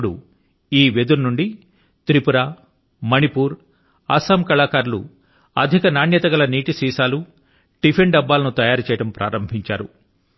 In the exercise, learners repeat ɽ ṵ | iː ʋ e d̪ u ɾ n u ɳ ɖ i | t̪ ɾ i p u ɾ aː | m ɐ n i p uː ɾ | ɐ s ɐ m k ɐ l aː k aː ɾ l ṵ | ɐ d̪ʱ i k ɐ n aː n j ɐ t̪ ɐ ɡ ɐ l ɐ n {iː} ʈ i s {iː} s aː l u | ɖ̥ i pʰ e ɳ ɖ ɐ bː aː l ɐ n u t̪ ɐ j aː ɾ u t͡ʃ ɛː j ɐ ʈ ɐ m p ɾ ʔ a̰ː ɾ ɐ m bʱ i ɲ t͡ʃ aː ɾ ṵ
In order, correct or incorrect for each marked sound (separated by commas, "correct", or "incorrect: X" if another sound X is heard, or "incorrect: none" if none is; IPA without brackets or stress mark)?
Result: correct, correct